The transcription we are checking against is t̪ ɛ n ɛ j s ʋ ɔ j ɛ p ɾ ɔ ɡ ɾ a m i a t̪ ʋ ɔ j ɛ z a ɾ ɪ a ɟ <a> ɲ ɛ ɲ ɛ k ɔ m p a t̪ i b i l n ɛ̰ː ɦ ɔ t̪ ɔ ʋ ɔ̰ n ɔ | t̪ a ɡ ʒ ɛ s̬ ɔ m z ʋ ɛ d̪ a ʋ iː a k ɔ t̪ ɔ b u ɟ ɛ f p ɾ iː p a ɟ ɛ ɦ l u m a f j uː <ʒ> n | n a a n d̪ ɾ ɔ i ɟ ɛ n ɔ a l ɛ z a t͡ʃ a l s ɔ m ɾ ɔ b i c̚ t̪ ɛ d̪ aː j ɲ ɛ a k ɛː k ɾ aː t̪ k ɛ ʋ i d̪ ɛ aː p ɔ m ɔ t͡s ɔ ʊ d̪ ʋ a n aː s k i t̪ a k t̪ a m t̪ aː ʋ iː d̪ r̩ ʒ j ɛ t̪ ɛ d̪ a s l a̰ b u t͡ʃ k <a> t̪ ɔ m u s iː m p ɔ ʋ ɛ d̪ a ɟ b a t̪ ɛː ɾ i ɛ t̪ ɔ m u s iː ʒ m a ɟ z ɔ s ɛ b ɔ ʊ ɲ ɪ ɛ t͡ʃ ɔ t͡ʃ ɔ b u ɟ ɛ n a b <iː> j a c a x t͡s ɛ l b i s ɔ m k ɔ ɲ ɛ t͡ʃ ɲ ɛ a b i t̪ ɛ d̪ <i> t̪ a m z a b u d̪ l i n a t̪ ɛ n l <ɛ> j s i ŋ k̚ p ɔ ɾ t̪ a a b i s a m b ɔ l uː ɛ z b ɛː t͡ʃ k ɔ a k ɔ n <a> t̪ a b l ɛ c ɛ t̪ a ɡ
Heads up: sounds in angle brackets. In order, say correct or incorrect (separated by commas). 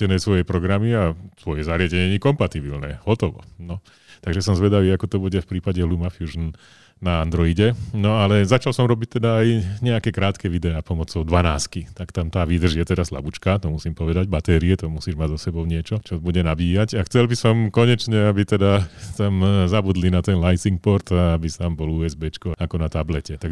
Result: incorrect, correct, correct, correct, incorrect, incorrect, correct